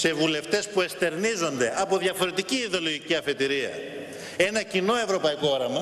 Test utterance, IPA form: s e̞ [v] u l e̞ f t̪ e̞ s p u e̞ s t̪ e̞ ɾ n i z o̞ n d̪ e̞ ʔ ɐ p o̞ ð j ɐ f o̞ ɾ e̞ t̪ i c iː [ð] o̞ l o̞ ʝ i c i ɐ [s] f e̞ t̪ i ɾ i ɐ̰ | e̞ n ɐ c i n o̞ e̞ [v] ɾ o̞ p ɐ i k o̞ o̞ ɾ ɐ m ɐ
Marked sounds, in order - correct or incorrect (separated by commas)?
correct, correct, incorrect, correct